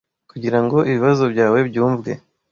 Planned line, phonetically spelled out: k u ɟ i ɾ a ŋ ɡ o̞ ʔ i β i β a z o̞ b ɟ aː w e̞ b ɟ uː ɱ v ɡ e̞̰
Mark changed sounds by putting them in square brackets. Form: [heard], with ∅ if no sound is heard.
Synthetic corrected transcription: k u ɟ i ɾ a ŋ ɡ o̞ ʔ i β i β a z o̞ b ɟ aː w e̞ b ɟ uː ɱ v ɡ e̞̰